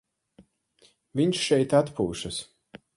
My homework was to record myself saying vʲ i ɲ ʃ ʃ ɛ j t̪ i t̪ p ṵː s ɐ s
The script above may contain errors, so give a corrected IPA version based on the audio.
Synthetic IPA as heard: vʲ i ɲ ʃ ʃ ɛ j t̪ a t̪ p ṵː ʃ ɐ s